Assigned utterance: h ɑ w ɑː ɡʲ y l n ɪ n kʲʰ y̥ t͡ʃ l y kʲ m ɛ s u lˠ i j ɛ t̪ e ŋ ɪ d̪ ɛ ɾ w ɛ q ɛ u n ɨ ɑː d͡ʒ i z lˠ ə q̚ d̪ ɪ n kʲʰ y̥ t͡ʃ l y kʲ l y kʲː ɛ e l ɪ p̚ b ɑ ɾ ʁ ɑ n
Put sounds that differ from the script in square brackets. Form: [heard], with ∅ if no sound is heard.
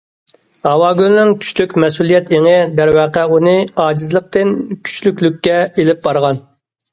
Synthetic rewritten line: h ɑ w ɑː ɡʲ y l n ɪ [ŋ] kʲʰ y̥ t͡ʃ l y kʲ m ɛ s u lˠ i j ɛ t̪ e ŋ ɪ d̪ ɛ ɾ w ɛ q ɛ u n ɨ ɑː d͡ʒ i z lˠ ə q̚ [t̪] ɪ n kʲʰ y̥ t͡ʃ l y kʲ l y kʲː ɛ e l ɪ p̚ b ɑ ɾ ʁ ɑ n